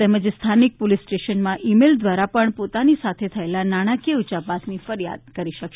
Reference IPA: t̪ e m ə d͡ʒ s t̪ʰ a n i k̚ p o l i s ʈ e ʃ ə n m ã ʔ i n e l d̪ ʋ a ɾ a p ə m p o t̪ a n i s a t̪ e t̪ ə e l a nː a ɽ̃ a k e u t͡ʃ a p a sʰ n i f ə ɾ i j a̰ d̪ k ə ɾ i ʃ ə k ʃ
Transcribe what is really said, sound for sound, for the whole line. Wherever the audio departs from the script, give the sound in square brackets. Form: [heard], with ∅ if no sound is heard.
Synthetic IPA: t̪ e m ə d͡ʒ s t̪ʰ a n i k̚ p o l i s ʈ e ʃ ə n m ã ʔ i [m] e l d̪ ʋ a ɾ a p ə [ɳ] p o t̪ a n i s a [t̪ʰ] e [t̪ʰ] ə e l a [n] a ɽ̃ a k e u t͡ʃ a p a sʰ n i f ə ɾ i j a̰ d̪ k ə ɾ i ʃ ə k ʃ